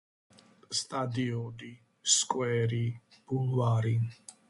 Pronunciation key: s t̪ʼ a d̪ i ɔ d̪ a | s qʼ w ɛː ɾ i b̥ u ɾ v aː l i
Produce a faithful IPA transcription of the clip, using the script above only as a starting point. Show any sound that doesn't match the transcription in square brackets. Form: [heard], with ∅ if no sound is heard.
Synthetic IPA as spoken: s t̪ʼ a d̪ i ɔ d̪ [i] | s [kʼ] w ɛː ɾ i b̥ u [l] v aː [ɾ] i